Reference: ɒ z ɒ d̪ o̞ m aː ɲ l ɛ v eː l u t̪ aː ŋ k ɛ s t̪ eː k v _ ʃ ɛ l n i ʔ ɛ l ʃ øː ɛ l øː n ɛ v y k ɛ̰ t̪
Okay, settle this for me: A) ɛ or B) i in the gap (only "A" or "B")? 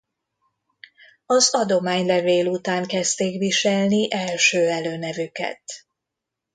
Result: B